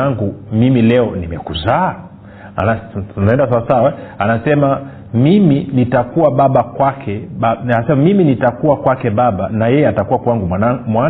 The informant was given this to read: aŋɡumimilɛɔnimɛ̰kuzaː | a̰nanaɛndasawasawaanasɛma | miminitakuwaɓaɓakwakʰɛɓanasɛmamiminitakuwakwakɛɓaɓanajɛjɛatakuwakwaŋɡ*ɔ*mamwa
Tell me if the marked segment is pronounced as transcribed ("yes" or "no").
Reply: no